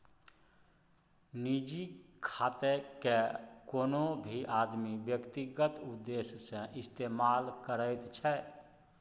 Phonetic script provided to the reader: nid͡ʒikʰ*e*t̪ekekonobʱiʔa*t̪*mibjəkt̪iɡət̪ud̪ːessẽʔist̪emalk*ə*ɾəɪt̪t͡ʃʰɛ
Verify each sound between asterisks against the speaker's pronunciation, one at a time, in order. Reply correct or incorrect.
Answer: incorrect: a, incorrect: d̪, correct

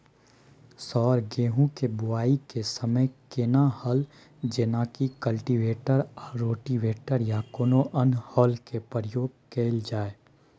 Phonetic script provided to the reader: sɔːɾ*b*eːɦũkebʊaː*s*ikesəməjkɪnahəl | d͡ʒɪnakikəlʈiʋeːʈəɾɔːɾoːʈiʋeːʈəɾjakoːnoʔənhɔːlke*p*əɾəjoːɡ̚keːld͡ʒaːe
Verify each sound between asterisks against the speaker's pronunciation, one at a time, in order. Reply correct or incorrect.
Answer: incorrect: ɡ, incorrect: none, correct

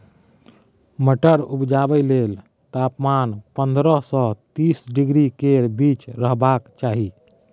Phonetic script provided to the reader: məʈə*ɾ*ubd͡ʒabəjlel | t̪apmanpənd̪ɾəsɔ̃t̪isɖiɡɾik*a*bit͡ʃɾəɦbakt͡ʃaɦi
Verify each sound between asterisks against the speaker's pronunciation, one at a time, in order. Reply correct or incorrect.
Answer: correct, incorrect: e

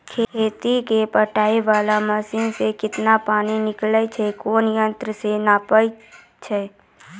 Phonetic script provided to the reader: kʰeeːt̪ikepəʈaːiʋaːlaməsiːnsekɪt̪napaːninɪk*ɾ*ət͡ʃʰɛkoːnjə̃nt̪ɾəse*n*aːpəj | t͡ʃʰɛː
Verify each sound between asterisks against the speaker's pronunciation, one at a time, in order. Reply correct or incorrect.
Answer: incorrect: l, correct

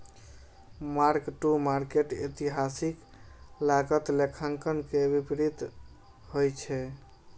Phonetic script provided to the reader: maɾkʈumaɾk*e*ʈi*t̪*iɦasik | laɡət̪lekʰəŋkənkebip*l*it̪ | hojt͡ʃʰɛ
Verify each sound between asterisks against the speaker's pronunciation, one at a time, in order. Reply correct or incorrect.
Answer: correct, correct, incorrect: ɾ

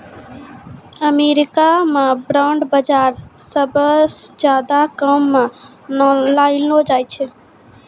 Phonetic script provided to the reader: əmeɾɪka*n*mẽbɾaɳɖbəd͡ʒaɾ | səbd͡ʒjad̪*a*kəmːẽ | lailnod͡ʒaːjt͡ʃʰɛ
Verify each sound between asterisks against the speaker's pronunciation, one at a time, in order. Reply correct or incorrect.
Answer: incorrect: none, correct

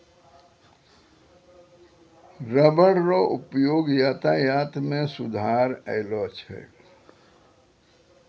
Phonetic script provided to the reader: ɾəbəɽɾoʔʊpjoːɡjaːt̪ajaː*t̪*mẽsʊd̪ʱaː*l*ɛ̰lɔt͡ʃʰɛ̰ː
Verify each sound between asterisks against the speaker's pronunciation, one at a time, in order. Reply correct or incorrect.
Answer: correct, incorrect: ɾ

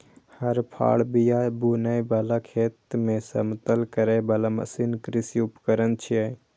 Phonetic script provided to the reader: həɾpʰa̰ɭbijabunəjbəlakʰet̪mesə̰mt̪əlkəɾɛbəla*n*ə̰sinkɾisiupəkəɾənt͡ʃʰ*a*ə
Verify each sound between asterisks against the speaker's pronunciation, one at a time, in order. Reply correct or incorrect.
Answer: incorrect: m, incorrect: i

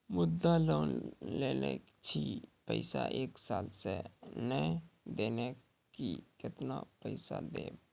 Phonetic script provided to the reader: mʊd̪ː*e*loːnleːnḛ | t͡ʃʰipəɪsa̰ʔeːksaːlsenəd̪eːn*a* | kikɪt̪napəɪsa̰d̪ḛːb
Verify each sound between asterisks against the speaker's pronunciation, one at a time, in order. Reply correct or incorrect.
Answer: incorrect: a, incorrect: e

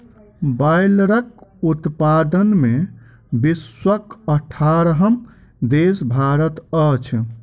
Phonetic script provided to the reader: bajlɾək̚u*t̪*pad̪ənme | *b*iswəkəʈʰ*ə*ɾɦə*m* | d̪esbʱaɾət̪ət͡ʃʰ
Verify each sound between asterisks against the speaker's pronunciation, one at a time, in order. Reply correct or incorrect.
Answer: correct, correct, incorrect: a, correct

